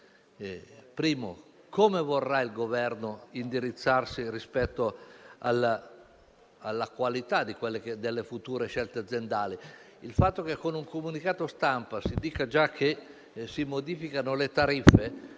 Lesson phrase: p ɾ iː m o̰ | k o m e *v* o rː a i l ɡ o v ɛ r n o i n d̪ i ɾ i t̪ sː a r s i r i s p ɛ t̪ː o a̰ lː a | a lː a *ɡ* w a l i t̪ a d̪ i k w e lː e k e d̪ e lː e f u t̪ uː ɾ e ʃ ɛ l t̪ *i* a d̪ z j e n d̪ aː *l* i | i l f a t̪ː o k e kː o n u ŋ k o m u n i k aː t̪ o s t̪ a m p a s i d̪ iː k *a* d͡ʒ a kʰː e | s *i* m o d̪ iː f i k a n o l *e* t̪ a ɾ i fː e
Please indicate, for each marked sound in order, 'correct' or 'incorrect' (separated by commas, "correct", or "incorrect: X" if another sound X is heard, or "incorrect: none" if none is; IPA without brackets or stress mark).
correct, incorrect: k, incorrect: e, correct, correct, correct, correct